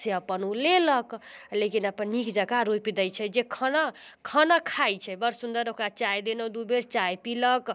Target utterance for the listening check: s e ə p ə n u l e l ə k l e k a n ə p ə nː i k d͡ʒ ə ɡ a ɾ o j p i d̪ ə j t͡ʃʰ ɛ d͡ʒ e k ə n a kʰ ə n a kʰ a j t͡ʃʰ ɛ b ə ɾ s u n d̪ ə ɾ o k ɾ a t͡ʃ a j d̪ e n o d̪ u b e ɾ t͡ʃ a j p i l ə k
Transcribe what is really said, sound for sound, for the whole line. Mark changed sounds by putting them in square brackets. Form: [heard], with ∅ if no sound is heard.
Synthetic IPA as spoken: s e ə p ə n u l e l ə k l e k [i] n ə p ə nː i k d͡ʒ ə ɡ a ɾ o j p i d̪ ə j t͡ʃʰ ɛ d͡ʒ e [kʰ] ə n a kʰ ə n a kʰ a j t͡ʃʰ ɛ b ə ɾ s u n d̪ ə ɾ o k ɾ a t͡ʃ a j d̪ e n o d̪ u b e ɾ t͡ʃ a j p i l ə k

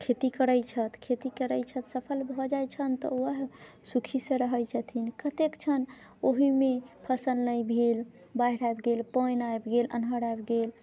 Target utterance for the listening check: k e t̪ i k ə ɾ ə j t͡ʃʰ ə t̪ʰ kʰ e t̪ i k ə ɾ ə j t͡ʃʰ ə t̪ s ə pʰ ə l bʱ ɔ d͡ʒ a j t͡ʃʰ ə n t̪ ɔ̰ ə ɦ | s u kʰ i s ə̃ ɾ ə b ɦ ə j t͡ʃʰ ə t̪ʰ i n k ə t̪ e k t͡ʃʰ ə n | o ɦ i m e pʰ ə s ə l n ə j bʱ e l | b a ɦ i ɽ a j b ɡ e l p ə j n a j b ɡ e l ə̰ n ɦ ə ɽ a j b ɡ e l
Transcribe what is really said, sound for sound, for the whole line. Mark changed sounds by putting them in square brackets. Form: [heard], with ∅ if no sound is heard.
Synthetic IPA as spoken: [kʰ] e t̪ i k ə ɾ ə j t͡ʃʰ ə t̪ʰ kʰ e t̪ i k ə ɾ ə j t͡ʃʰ ə t̪ s ə pʰ ə l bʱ ɔ d͡ʒ a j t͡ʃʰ ə n t̪ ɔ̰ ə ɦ | s u kʰ i s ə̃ ɾ ə [∅] ɦ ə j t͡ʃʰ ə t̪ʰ i n k ə t̪ e k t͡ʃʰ ə n | o ɦ i m e pʰ ə s ə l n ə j bʱ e l | b a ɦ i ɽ a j b ɡ e l p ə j n a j b ɡ e l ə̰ n ɦ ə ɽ a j b ɡ e l

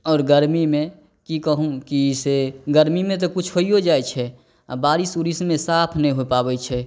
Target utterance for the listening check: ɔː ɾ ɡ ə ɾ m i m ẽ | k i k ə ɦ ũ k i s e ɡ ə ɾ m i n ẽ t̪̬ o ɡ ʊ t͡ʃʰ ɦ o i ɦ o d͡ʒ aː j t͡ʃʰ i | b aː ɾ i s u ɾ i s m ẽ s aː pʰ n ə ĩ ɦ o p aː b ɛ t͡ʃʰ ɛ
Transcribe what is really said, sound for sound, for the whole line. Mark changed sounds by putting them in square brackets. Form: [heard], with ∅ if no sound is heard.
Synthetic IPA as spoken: ɔː ɾ ɡ ə ɾ m i m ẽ | k i k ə ɦ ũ k i s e ɡ ə ɾ m i [m] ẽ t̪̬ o [k] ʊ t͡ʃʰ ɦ o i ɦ o d͡ʒ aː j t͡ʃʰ [ɛ] | b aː ɾ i s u ɾ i s m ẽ s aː pʰ n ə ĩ ɦ o p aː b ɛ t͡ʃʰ ɛ

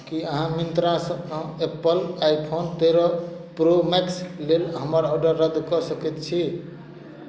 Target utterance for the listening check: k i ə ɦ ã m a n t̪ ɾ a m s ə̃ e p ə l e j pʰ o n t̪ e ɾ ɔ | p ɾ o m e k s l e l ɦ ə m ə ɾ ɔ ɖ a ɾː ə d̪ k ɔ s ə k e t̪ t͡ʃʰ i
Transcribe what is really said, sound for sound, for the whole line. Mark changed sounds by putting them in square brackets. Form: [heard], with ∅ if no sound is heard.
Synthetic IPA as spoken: k i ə ɦ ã m [i] n t̪ ɾ a [∅] s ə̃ e p ə l [a] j pʰ o n t̪ e ɾ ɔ | p ɾ o m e k s l e l ɦ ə m ə ɾ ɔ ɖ [ə] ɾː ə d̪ k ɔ s ə k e t̪ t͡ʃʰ i

